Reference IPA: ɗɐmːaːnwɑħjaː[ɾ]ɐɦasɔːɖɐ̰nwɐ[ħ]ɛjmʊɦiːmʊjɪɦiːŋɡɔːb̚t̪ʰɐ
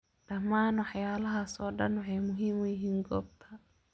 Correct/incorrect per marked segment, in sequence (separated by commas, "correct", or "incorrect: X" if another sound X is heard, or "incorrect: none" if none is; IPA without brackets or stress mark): incorrect: l, correct